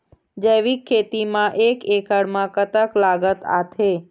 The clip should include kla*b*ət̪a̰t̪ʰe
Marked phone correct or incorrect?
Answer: incorrect